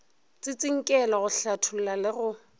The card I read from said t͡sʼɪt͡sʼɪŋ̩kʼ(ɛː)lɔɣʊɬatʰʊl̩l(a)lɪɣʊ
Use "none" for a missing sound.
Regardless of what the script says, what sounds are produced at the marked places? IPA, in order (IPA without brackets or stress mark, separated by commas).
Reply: ɛ, a